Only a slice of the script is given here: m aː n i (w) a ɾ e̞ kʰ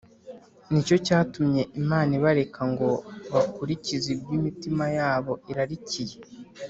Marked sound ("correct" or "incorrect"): incorrect